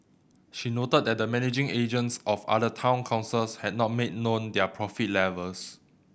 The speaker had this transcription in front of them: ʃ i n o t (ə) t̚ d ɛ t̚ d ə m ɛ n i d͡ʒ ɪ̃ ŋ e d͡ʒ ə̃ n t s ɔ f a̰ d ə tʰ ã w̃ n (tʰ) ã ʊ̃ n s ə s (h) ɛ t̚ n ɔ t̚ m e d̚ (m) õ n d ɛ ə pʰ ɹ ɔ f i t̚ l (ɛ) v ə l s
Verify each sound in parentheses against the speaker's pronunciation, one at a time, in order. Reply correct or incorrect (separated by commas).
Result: correct, incorrect, correct, incorrect, correct